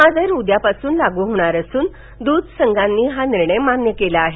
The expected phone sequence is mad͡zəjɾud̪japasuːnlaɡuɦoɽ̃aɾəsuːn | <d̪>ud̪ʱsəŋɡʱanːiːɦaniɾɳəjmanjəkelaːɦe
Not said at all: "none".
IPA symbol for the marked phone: d̪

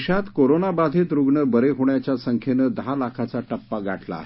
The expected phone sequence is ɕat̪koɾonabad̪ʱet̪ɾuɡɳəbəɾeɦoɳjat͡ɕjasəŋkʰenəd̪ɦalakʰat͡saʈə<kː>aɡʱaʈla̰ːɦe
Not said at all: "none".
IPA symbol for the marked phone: pː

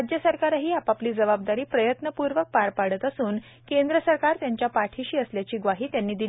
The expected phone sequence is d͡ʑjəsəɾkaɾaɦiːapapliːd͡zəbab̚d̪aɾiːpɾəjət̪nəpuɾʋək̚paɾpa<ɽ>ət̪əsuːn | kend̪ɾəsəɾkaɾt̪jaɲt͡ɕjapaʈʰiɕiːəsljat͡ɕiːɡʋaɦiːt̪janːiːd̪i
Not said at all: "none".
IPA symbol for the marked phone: ɽ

